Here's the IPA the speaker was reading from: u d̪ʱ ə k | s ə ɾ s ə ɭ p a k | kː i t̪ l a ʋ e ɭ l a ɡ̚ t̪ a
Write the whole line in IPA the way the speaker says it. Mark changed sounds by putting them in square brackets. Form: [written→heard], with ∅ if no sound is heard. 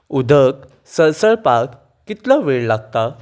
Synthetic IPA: u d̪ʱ ə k | s ə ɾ s ə ɭ p a k | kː i t̪ l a ʋ e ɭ l a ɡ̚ t̪ a